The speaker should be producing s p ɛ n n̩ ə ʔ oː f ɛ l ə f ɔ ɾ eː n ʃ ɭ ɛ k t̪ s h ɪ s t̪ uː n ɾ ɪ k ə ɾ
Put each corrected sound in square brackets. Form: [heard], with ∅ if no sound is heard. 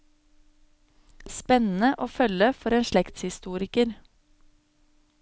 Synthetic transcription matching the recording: s p ɛ n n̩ ə ʔ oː f [œ] l ə f ɔ ɾ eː n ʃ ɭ ɛ k t̪ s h ɪ s t̪ uː [∅] ɾ ɪ k ə ɾ

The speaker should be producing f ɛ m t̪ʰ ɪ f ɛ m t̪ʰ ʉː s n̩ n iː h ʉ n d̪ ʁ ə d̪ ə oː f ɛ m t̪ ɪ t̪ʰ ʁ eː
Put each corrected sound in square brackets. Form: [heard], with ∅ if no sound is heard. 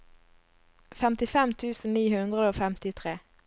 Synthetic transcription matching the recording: f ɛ m [t̪] ɪ f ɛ m t̪ʰ ʉː s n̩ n iː h ʉ n d̪ ʁ ə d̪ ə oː f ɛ m t̪ ɪ t̪ʰ ʁ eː

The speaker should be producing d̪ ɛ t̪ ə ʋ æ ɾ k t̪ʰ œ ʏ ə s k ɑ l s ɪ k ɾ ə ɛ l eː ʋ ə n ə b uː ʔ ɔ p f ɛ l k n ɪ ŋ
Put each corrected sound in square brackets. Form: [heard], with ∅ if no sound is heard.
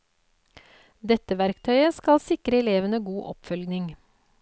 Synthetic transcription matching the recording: d̪ ɛ t̪ ə ʋ æ ɾ k t̪ʰ œ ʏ ə s k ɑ l s ɪ k ɾ ə ɛ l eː ʋ ə n ə [ɡ] uː ʔ ɔ p f [œ] l [ɡ] n ɪ ŋ

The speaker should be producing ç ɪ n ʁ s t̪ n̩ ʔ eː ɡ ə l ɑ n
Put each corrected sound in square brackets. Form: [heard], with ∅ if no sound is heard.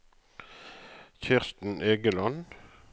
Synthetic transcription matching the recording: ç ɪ [∅] ʁ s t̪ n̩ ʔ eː ɡ ə l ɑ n

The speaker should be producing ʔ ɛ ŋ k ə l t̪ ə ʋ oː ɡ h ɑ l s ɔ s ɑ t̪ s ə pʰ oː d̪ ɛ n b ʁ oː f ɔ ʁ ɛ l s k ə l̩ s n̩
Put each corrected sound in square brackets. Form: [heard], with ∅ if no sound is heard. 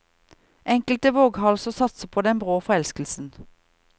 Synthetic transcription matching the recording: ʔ ɛ ŋ k ə l t̪ ə ʋ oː ɡ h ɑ l s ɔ s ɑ t̪ s ə pʰ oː d̪ ɛ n b ʁ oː f ɔ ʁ ɛ l s k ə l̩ s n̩

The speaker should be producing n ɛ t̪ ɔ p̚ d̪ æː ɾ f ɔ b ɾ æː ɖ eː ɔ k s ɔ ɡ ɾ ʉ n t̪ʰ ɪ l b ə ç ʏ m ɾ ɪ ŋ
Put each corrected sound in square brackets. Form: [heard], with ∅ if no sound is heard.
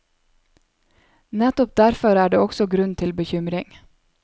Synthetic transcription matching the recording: n ɛ t̪ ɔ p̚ d̪ [æ] ɾ f ɔ [∅] ɾ æː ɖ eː ɔ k s ɔ ɡ ɾ ʉ n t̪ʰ ɪ l b ə ç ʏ m ɾ ɪ ŋ

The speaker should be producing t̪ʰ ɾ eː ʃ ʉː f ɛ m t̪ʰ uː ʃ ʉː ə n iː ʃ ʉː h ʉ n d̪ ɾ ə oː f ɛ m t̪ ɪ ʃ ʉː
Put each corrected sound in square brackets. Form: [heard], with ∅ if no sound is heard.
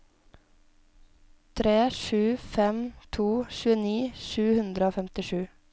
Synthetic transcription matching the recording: t̪ʰ ɾ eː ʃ ʉː f ɛ m t̪ʰ uː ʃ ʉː ə n iː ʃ ʉː h ʉ n d̪ ɾ ə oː f ɛ m t̪ ɪ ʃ ʉː

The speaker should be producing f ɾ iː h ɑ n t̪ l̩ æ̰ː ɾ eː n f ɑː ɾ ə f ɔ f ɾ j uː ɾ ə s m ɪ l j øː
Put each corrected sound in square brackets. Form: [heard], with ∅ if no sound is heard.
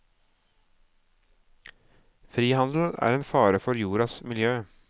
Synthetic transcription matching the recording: f ɾ iː h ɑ n [d̪] l̩ æ̰ː ɾ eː n f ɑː ɾ ə f ɔ [∅] ɾ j uː ɾ [ɑ] s m ɪ l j øː

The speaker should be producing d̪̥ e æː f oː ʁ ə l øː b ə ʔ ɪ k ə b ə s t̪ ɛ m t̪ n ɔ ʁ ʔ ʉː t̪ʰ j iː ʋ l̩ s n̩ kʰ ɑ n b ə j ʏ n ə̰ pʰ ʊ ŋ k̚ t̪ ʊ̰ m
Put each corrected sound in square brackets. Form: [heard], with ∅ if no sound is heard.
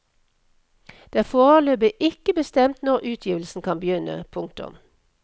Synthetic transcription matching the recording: d̪̥ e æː f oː ʁ ə l øː b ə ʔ ɪ k ə b ə s t̪ ɛ m t̪ n ɔ ʁ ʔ ʉː t̪ʰ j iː ʋ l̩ s n̩ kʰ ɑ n b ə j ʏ n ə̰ pʰ ʊ ŋ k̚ t̪ ʊ̰ m

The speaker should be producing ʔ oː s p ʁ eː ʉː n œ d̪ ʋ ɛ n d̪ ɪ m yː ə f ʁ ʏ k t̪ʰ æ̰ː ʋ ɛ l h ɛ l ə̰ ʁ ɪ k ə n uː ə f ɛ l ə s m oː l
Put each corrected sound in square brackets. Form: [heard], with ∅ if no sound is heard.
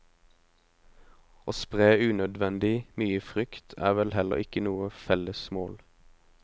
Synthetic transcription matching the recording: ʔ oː s p ʁ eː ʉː n œ d̪ ʋ ɛ n d̪ ɪ m yː ə f ʁ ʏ k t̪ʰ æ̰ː ʋ ɛ l h ɛ l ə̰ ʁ ɪ k ə n uː ə f ɛ l ə s m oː l

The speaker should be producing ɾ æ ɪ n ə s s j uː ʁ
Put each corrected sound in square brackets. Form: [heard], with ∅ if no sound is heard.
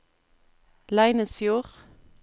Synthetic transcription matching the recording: [l] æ ɪ n ə s [f] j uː ʁ

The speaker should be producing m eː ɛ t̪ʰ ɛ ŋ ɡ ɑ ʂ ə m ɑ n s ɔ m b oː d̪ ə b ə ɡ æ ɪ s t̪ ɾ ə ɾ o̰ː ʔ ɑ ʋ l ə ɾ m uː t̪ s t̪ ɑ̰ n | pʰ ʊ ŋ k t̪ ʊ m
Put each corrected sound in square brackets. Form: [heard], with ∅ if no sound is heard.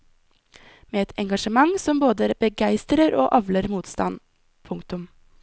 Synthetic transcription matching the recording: m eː ɛ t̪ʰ ɛ ŋ ɡ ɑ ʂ ə m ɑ [ŋ] s ɔ m b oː d̪ ə b ə ɡ æ ɪ s t̪ ɾ ə ɾ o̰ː ʔ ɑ ʋ l ə ɾ m uː t̪ s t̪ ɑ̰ n | pʰ ʊ ŋ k t̪ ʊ m

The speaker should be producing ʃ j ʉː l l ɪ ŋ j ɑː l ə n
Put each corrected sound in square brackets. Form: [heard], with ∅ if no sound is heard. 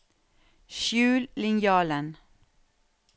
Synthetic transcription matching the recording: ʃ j ʉː l l ɪ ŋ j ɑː l ə n

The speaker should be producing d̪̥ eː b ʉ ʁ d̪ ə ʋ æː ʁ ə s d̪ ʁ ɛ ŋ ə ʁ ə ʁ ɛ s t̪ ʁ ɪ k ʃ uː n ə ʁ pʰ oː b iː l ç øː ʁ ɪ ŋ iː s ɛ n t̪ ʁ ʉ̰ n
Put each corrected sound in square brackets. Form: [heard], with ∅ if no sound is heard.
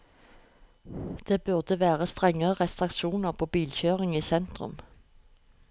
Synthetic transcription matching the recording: d̪̥ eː b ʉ ʁ d̪ ə ʋ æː ʁ ə s [t̪] ʁ ɛ ŋ ə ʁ ə ʁ ɛ s t̪ ʁ ɪ k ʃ uː n ə ʁ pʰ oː b iː l ç øː ʁ ɪ ŋ iː s ɛ n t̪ ʁ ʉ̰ [m]

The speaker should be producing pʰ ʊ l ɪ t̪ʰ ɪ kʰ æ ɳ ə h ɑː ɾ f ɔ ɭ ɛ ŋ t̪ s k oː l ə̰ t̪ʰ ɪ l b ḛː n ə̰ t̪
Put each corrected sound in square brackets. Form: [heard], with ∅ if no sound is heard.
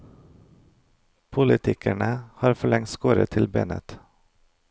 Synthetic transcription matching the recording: pʰ ʊ l ɪ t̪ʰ ɪ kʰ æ ɳ ə h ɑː ɾ f ɔ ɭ ɛ ŋ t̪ s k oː [ɾ] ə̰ t̪ʰ ɪ l b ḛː n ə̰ t̪

